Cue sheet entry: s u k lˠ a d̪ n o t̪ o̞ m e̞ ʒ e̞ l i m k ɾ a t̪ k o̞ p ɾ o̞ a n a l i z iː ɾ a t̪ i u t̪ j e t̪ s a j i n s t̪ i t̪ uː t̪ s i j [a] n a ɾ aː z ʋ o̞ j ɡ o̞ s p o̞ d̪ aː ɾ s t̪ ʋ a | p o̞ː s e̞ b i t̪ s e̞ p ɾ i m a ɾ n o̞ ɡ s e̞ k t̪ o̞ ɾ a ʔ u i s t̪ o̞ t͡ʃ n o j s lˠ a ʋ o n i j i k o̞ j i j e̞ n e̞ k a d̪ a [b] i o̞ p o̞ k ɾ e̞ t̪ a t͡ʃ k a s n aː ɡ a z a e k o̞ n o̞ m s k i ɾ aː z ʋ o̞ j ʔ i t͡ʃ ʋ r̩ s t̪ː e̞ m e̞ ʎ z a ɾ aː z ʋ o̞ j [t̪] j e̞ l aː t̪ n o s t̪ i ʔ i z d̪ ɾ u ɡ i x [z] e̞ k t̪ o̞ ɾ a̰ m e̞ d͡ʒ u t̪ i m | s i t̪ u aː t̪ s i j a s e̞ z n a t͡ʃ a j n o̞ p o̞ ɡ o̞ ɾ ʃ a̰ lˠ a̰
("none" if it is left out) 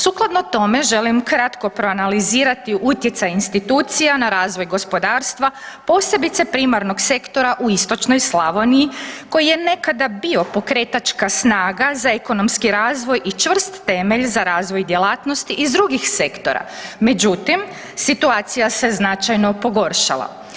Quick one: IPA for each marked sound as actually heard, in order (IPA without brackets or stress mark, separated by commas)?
a, b, d̪, s